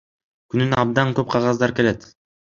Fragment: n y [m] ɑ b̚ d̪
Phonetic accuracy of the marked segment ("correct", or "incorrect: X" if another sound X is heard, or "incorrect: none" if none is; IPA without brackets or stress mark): incorrect: n